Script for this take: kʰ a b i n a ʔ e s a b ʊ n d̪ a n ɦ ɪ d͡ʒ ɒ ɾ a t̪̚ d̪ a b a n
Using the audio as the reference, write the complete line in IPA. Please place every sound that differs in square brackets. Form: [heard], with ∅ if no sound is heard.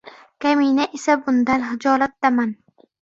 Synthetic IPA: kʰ a [m] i n a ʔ e s a b ʊ n d̪ a n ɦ ɪ d͡ʒ ɒ [l] a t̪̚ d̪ a [m] a n